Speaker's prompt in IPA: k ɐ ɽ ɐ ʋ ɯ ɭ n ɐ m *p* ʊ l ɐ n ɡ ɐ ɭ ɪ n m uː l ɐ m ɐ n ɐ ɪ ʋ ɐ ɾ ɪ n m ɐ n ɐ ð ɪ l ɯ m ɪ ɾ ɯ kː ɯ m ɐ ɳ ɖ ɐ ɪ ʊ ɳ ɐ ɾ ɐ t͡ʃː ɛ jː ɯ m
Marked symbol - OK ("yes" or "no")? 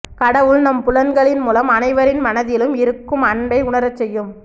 yes